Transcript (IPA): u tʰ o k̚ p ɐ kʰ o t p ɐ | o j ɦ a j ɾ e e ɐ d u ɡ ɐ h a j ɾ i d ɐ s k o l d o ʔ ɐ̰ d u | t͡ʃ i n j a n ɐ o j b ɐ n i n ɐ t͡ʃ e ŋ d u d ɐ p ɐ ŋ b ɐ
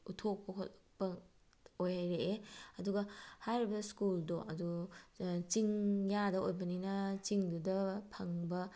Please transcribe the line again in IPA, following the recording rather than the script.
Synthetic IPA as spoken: u tʰ o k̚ p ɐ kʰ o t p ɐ | o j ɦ a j ɾ e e ɐ d u ɡ ɐ h a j ɾ i b ɐ s k u l d o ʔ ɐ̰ d u | t͡ʃ i ŋ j a d ɐ o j b ɐ n i n ɐ t͡ʃ i ŋ d u d ɐ pʰ ɐ ŋ b ɐ